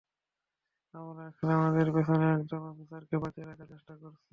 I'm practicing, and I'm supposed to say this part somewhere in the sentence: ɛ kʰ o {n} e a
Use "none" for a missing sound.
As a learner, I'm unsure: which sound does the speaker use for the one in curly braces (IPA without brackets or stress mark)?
n